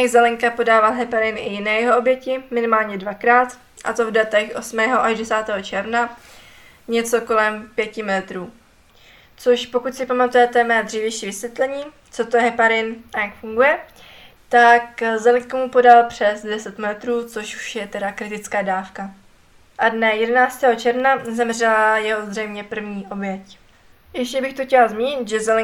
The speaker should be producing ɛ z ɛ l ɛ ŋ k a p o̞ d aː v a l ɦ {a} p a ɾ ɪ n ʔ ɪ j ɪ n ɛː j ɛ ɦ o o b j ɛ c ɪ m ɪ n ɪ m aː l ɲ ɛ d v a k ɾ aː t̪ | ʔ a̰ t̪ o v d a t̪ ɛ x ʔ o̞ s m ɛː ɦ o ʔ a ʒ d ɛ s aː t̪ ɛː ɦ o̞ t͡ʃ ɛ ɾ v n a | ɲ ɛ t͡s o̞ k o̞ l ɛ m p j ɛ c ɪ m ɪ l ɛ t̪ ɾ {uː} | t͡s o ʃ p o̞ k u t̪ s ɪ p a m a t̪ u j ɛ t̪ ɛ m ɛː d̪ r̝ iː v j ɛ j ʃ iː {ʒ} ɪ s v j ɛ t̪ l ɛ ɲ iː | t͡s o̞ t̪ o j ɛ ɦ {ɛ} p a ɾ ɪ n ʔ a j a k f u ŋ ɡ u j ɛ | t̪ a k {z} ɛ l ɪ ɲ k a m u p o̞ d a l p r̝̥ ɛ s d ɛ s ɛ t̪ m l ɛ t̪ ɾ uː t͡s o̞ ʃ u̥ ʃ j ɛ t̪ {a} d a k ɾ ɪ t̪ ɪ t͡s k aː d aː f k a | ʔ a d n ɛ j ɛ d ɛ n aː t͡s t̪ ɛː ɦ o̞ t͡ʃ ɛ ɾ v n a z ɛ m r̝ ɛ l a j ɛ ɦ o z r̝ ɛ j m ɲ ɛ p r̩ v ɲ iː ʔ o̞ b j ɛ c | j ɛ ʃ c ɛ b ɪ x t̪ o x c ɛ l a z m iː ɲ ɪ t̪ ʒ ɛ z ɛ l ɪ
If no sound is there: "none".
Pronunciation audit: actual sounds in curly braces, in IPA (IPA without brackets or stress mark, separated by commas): ɛ, uː, v, ɛ, z, ɛ